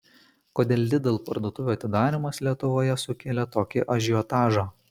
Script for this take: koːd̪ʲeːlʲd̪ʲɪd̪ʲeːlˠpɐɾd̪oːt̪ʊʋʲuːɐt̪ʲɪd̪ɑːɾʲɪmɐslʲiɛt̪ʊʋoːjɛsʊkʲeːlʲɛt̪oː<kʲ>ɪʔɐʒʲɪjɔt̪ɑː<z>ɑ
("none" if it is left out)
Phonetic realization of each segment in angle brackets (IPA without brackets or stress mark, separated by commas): kʲ, ʒ